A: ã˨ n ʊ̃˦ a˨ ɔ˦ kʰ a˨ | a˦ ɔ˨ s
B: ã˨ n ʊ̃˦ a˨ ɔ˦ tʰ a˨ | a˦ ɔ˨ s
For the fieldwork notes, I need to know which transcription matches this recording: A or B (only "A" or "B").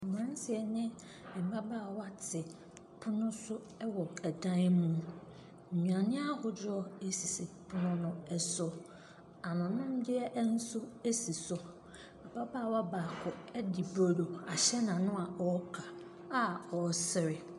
A